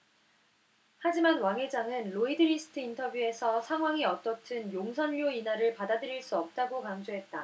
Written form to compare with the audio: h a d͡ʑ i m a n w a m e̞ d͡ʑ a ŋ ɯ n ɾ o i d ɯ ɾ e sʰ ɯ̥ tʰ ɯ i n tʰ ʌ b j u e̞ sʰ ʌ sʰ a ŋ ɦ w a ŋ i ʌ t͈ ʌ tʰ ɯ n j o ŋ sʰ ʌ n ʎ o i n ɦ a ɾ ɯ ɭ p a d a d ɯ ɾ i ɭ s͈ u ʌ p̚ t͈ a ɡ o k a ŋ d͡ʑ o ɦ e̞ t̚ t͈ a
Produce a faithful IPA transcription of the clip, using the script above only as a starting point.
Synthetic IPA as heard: h a d͡ʑ i m a n w a ŋ e̞ d͡ʑ a ŋ ɯ n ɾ o i d ɯ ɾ i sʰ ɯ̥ tʰ ɯ i n tʰ ʌ b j u e̞ sʰ ʌ sʰ a ŋ ɦ w a ŋ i ʌ t͈ ʌ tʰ ɯ n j o ŋ sʰ ʌ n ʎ o i n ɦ a ɾ ɯ ɭ p a d a d ɯ ɾ i ɭ s͈ u ʌ p̚ t͈ a ɡ o k a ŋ d͡ʑ o ɦ e̞ t̚ t͈ a

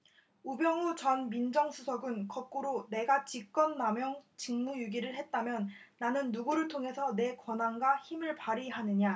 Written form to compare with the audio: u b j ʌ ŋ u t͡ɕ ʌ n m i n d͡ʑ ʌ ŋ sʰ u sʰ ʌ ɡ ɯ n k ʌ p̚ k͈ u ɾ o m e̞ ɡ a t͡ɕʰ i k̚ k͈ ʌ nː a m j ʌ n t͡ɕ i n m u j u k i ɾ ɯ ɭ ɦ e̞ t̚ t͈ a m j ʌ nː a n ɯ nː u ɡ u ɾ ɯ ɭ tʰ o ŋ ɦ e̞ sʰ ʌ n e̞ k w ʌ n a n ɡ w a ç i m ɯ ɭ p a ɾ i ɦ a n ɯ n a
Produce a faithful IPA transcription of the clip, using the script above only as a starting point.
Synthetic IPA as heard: u b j ʌ ŋ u t͡ɕ ʌ n m i n d͡ʑ ʌ ŋ sʰ u sʰ ʌ ɡ ɯ n k ʌ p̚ k͈ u ɾ o n e̞ ɡ a t͡ɕ i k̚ k͈ ʌ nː a m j ʌ ŋ t͡ɕ i ŋ m u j u ɡ i ɾ ɯ ɭ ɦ e̞ t̚ t͈ a m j ʌ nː a n ɯ nː u ɡ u ɾ ɯ ɭ tʰ o ŋ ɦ e̞ sʰ ʌ n e̞ k w ʌ n a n ɡ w a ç i m ɯ ɭ p a ɾ i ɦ a n ɯ ɲ a

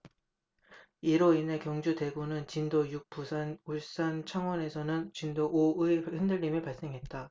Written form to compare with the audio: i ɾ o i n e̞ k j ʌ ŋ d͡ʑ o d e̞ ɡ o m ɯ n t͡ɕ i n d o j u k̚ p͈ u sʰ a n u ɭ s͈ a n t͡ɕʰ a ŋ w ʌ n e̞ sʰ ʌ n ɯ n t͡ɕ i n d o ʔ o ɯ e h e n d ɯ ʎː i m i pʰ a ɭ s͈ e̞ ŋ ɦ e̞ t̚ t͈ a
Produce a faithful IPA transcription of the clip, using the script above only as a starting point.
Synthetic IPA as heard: i ɾ o i n e̞ k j ʌ ŋ d͡ʑ u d e̞ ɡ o n ɯ n t͡ɕ i n d o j u k̚ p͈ u sʰ a n u ɭ s͈ a n t͡ɕʰ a ŋ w ʌ n e̞ sʰ ʌ n ɯ n t͡ɕ i n d o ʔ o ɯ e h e n d ɯ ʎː i m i p a ɭ s͈ e̞ ŋ ɦ e̞ t̚ t͈ a

